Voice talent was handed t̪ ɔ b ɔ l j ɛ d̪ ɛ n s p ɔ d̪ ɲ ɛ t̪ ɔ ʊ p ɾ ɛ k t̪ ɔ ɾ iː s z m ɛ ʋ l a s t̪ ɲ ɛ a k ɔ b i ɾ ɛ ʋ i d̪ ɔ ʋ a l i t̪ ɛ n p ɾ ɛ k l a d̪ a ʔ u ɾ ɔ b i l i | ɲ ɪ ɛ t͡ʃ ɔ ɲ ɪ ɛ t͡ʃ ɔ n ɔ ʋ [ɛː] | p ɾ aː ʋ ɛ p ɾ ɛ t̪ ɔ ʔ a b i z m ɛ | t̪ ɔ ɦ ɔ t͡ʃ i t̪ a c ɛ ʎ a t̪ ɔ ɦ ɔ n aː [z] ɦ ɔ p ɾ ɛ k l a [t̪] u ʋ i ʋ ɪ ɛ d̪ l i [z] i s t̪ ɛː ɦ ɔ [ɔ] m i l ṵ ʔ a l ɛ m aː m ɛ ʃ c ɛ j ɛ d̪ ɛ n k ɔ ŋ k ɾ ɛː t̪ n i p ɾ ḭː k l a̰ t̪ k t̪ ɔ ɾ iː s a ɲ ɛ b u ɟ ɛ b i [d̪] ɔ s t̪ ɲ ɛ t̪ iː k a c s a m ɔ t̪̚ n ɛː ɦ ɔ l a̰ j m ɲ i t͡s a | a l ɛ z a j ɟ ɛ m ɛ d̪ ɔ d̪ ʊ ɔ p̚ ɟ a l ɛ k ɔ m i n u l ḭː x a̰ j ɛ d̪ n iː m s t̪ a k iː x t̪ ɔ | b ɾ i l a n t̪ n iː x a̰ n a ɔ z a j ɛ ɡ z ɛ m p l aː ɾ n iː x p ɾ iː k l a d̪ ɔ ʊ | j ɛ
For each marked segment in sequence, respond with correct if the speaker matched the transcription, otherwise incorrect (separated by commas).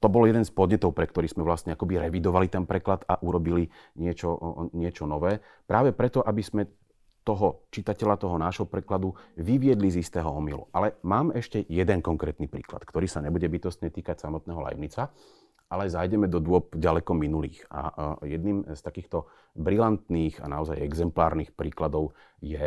correct, incorrect, incorrect, correct, correct, incorrect